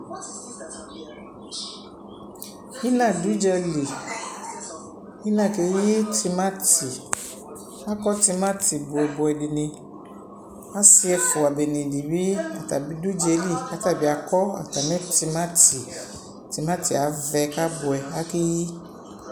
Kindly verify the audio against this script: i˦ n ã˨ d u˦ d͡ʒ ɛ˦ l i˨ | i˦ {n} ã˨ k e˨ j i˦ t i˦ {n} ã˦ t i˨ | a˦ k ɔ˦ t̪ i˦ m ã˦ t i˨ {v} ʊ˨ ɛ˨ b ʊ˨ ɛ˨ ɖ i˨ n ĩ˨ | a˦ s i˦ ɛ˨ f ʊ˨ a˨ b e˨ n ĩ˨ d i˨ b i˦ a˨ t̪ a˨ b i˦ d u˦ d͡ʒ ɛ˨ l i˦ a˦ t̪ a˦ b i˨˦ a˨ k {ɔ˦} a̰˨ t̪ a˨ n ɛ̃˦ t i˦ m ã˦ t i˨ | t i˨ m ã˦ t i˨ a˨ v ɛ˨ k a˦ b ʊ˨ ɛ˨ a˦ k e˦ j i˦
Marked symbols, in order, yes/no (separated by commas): yes, no, no, yes